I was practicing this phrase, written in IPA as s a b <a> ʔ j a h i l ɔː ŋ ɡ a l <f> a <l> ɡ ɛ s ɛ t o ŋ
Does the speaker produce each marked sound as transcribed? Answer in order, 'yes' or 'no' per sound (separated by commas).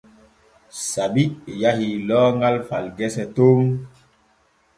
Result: no, yes, yes